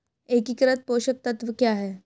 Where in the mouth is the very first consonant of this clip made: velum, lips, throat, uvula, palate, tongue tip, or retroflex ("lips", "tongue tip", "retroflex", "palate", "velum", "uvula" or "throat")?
velum